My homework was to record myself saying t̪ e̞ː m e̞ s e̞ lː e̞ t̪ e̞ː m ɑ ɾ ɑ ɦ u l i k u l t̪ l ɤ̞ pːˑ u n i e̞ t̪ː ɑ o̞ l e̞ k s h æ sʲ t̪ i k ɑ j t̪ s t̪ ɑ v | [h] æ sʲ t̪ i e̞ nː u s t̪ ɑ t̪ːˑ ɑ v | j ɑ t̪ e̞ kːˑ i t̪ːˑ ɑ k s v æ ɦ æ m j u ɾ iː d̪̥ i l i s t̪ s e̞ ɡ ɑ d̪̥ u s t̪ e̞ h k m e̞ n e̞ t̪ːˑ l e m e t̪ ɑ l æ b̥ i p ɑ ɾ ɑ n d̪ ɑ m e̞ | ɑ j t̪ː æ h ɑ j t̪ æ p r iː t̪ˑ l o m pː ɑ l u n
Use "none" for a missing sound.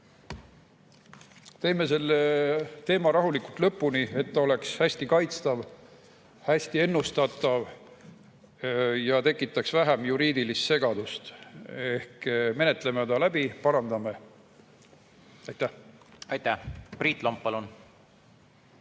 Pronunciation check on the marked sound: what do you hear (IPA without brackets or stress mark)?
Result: h